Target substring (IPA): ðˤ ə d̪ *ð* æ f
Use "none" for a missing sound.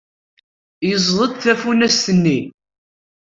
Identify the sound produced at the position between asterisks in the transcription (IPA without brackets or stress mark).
θ